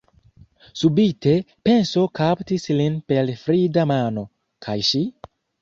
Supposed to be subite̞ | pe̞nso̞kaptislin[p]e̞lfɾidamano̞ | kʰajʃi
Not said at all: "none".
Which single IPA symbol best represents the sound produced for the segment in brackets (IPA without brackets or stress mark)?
p